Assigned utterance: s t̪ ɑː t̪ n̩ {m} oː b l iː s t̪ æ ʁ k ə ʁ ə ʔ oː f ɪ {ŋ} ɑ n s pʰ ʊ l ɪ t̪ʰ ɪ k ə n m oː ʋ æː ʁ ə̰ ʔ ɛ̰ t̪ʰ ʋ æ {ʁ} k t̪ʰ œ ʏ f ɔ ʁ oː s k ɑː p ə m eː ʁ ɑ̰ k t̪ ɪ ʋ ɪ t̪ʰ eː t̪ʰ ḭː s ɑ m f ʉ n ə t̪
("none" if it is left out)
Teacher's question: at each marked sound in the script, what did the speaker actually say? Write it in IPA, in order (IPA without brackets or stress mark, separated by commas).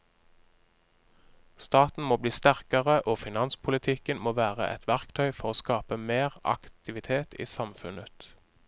m, n, ʁ